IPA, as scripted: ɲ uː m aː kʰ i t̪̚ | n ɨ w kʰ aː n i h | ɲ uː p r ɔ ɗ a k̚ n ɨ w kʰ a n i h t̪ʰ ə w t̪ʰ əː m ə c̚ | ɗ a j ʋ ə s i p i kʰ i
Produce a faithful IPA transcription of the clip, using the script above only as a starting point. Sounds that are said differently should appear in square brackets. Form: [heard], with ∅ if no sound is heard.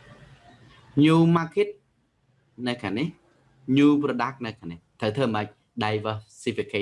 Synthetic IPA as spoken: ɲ uː m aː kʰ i t̪̚ | n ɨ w kʰ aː n i h | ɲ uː p r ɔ ɗ a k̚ n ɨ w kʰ a n i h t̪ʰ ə w t̪ʰ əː m ə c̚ | ɗ a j ʋ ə s i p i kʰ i